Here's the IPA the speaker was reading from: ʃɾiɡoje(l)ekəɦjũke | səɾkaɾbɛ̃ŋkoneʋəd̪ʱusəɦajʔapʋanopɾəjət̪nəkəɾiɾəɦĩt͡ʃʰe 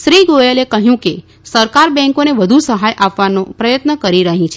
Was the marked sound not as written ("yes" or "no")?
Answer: no